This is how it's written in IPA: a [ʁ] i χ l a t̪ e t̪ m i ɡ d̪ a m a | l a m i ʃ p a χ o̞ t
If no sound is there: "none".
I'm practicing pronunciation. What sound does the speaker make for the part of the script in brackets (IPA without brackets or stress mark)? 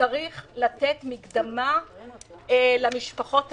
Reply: ʁ